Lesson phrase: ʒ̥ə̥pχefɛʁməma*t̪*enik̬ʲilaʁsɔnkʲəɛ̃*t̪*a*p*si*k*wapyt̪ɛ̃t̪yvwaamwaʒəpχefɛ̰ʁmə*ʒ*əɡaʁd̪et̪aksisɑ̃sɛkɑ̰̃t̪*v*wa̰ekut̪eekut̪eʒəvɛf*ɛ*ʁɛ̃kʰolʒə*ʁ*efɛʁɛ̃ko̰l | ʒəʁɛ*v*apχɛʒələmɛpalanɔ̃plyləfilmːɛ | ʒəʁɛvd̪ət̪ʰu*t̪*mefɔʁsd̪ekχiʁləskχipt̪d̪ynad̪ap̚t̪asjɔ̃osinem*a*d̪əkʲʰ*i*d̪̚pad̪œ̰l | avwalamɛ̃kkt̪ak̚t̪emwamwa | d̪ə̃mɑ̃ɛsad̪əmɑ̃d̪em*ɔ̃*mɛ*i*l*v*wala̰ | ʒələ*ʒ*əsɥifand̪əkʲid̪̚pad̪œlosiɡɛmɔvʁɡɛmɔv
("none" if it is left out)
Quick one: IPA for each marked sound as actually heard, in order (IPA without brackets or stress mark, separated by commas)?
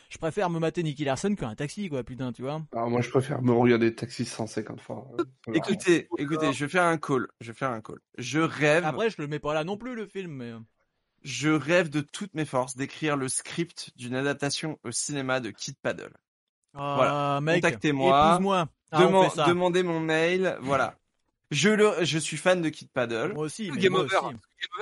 t̪, t̪, k, k, ʁ, f, ɛ, v, v, t̪, a, i, ɔ̃, j, v, ʒ